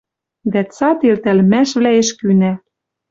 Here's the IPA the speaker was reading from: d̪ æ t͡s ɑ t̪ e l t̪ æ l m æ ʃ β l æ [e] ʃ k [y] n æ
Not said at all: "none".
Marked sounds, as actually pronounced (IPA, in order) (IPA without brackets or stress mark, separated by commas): e, y